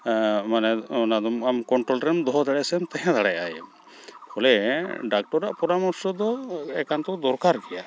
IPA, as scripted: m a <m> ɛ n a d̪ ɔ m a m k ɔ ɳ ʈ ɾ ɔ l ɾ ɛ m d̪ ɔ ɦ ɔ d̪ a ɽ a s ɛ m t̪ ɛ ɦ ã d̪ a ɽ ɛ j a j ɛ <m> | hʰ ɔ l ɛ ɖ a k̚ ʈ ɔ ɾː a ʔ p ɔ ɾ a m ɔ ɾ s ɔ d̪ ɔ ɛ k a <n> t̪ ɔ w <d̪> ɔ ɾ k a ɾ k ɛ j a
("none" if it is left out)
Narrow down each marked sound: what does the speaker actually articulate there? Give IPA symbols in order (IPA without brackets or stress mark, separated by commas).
n, m, n, d̪